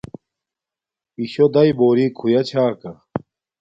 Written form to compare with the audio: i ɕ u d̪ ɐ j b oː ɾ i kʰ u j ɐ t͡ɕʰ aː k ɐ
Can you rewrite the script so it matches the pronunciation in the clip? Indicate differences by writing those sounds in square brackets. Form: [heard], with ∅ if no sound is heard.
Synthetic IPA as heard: i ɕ [o] d̪ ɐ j b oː ɾ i kʰ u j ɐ t͡ɕʰ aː k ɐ